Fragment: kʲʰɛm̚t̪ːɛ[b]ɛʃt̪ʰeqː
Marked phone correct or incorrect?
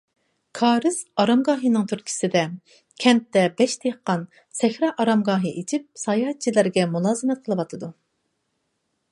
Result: correct